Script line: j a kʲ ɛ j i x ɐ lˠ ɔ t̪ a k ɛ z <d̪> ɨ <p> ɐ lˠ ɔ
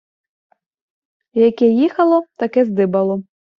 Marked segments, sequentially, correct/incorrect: correct, incorrect: b

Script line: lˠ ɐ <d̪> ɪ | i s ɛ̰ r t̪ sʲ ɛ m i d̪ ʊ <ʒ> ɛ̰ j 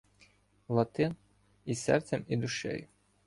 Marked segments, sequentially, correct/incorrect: incorrect: t̪, incorrect: ʃ

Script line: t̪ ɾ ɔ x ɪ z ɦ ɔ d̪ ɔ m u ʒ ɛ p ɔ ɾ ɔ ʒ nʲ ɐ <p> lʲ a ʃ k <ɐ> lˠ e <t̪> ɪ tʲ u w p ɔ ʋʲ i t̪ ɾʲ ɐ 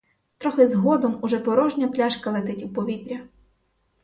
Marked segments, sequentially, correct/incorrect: correct, correct, correct

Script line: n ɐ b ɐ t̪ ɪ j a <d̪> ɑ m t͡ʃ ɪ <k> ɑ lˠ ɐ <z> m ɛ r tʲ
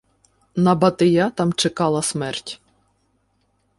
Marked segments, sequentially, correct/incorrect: incorrect: t̪, correct, incorrect: s

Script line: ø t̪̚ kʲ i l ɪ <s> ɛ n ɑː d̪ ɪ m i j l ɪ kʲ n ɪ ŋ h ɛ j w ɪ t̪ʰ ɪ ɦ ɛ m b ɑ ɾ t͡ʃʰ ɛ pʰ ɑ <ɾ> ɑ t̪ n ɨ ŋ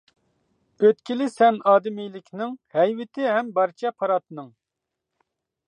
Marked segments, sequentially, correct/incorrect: correct, correct

